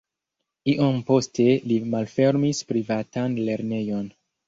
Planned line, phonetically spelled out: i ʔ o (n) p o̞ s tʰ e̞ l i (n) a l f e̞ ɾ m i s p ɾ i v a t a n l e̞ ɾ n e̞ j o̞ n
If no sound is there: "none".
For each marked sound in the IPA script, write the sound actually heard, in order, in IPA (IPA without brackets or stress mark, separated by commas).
m, m